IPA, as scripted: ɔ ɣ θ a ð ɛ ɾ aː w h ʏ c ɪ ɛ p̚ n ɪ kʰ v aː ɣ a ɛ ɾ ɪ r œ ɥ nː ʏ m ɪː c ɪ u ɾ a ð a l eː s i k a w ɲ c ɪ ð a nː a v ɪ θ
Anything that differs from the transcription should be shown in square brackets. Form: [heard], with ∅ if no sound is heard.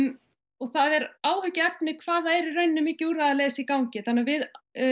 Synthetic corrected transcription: ɔ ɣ θ a ð ɛ ɾ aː w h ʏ c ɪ ɛ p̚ n ɪ kʰ v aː [ð] a ɛ ɾ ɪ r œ ɥ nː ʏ m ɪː c ɪ u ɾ a ð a l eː s i k a w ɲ c ɪ [θ] a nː a v ɪ [ð]